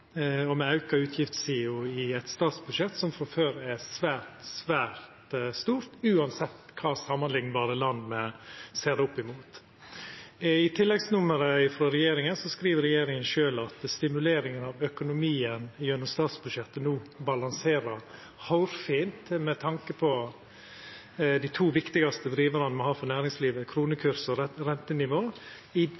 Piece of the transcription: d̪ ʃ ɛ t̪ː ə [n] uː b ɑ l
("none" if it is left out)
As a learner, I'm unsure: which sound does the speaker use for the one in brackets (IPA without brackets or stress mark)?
n